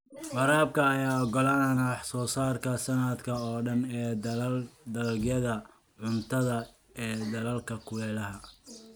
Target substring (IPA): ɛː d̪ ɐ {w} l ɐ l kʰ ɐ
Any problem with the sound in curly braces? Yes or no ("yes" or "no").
yes